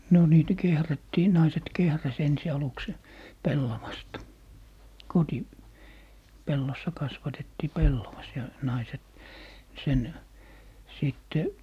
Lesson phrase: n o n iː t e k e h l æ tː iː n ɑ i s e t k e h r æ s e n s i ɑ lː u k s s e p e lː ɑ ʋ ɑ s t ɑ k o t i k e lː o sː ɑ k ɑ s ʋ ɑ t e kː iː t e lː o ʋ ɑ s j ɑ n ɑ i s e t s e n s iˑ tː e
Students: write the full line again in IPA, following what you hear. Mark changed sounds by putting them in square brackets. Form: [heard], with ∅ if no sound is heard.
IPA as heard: n o n iː t [æ] k e h [r] æ tː iː n ɑ i s e t k e h r æ s e n s i ɑ [l] u k s s e p e lː ɑ ʋ ɑ s t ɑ k o t i [p] e lː o sː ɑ k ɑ s ʋ ɑ t e [tː] iː [p] e lː o ʋ ɑ s j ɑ n ɑ i s e t s e n s iˑ tː e